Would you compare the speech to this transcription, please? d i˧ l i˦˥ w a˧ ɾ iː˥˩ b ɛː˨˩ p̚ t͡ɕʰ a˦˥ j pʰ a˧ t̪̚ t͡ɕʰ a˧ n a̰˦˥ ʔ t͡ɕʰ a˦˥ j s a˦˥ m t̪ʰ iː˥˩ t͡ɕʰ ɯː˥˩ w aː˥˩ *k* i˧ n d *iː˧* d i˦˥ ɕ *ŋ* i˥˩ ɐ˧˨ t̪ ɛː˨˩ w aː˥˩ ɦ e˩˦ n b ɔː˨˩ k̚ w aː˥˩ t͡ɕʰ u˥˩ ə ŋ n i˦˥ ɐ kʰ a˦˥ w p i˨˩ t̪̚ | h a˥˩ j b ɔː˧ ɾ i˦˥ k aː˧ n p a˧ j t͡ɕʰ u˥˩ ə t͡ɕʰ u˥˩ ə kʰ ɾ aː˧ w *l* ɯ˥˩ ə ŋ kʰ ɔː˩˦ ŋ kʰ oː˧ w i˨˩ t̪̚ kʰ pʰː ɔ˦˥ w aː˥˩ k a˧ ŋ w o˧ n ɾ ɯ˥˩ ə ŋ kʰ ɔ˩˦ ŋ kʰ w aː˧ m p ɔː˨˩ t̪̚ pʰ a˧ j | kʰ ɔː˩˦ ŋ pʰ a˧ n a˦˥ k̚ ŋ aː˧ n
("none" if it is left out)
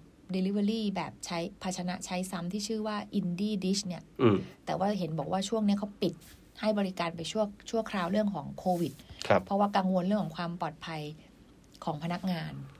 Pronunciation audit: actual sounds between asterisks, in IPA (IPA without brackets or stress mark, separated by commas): ʔ, iː˥˩, n, ɾ